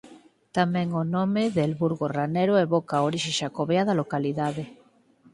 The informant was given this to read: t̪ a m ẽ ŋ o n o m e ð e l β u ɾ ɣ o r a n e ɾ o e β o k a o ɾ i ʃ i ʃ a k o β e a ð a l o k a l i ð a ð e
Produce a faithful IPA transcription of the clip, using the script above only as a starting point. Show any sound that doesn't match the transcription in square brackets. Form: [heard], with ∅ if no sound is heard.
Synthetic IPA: t̪ a m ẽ ŋ o n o m e ð e l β u ɾ ɣ o r a n e ɾ o e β o k a o ɾ i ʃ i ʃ a k o β e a ð a l o k a l i ð a ð e